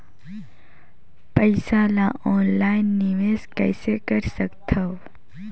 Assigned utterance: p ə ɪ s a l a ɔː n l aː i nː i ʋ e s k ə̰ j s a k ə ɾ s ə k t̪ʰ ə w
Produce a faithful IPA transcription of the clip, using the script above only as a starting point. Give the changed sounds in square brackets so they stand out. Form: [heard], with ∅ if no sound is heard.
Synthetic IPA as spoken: p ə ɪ s a l a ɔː n l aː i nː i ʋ e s k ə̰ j s [e] k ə ɾ s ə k t̪ʰ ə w